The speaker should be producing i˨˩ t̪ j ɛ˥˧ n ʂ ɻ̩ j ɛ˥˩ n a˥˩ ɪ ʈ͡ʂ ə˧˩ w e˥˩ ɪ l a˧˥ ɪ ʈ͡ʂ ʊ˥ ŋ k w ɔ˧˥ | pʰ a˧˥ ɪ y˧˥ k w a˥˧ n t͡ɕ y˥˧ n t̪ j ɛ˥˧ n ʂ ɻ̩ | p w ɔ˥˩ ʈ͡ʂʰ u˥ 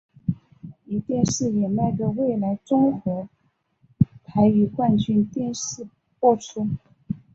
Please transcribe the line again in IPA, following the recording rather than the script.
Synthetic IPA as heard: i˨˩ t̪ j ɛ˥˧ n ʂ ɻ̩ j ɛ˨˩ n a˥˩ ɪ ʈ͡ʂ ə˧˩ w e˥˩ ɪ l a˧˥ ɪ ʈ͡ʂ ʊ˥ ŋ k w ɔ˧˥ | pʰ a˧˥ ɪ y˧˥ k w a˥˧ n t͡ɕ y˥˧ n t̪ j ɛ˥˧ n ʂ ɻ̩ | p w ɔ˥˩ ʈ͡ʂʰ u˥

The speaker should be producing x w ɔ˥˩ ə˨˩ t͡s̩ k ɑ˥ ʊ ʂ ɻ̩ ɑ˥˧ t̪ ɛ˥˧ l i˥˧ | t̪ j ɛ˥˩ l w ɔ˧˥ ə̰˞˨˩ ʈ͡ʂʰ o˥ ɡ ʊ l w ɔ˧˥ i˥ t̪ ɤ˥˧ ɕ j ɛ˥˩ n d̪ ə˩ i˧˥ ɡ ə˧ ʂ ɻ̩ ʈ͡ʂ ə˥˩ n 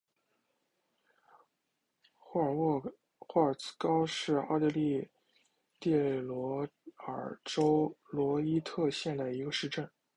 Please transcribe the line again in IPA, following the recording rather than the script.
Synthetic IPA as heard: x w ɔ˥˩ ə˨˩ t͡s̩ k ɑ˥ ʊ ʂ ɻ̩ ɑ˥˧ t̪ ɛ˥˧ l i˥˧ | t̪ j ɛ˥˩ l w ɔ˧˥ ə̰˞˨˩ ʈ͡ʂ o˥ ʊ l w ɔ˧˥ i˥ t̪ʰ ɤ˥˧ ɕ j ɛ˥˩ n d̪ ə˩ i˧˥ ɡ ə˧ ʂ ɻ̩ ʈ͡ʂ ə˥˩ n

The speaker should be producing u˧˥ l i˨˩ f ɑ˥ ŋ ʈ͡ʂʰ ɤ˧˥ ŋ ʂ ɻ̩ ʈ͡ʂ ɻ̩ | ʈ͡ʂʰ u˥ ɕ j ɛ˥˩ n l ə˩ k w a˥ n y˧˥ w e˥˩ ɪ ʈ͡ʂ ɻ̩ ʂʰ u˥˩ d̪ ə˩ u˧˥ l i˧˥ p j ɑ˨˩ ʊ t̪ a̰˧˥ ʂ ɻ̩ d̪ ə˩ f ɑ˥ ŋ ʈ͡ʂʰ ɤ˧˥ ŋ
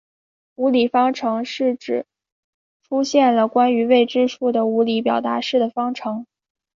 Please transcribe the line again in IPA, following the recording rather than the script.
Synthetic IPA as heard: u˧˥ l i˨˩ f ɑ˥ ŋ ʈ͡ʂʰ ɤ˧˥ ŋ ʂ ɻ̩ ʈ͡ʂ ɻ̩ | ʈ͡ʂʰ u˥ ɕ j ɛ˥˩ n l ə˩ k w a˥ n y˧˥ w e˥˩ ɪ ʈ͡ʂ ɻ̩ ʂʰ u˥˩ d̪ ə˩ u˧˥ l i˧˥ p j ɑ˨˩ ʊ t̪ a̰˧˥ ʂ ɻ̩ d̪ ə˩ f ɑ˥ ŋ ʈ͡ʂʰ ɤ˧˥ ŋ

